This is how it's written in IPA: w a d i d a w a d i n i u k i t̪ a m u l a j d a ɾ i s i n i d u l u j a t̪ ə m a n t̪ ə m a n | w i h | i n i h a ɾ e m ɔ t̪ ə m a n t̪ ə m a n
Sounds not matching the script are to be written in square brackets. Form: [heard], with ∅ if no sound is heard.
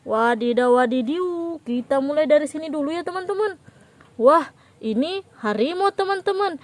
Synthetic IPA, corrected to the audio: w a d i d a w a d i [d] i u k i t̪ a m u l a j d a ɾ i s i n i d u l u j a t̪ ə m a n t̪ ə m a n | w [a] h | i n i h a ɾ [i] m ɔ t̪ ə m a n t̪ ə m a n